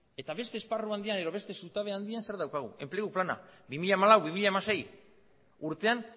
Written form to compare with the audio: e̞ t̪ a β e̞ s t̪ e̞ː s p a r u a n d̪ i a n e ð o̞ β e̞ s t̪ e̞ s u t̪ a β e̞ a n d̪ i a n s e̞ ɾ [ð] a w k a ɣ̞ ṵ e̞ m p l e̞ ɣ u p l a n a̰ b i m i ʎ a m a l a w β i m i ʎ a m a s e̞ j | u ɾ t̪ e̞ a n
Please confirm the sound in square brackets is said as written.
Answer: yes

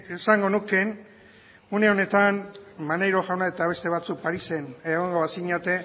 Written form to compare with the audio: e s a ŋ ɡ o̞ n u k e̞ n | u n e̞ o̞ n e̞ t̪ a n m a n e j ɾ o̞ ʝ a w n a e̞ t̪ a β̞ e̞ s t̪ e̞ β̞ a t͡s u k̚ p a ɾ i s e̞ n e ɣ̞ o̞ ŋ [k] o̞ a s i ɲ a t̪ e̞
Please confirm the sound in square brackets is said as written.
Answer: no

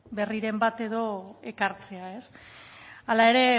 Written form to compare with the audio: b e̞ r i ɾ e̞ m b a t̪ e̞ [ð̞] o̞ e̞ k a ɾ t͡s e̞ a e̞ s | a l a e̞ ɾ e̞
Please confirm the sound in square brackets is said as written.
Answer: yes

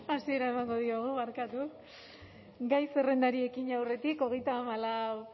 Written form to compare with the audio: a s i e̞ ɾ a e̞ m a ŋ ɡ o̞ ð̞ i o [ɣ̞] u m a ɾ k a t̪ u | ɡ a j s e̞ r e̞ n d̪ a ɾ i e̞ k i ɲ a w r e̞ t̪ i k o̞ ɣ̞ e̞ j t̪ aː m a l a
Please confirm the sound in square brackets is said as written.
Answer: yes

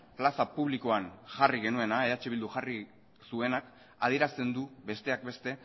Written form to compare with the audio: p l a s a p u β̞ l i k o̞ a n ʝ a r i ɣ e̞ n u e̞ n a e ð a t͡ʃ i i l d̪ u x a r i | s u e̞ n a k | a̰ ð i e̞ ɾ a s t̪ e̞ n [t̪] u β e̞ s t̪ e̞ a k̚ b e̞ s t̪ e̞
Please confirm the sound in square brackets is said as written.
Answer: no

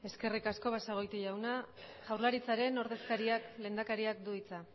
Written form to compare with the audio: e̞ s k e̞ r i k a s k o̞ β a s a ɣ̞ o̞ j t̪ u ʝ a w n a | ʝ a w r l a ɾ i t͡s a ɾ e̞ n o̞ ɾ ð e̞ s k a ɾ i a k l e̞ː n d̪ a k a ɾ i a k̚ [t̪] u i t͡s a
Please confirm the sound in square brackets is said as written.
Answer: no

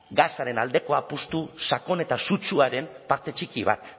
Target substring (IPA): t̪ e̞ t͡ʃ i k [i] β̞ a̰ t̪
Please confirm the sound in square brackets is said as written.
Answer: yes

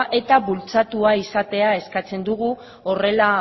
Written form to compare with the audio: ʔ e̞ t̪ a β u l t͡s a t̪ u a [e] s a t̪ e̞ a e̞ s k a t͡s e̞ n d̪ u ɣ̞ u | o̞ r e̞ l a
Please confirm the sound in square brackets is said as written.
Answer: no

